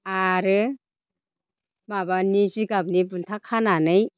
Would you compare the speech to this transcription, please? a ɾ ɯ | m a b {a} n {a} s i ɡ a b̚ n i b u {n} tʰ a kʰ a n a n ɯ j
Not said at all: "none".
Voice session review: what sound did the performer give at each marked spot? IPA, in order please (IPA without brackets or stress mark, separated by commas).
a, i, n